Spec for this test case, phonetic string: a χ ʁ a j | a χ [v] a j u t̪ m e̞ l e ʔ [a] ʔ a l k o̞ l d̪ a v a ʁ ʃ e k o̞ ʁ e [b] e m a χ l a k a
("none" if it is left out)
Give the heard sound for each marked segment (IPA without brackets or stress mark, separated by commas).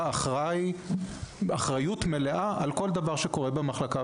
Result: ʁ, a, b